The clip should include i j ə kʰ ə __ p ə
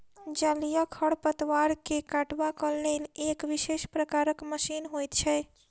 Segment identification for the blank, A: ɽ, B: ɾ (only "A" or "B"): A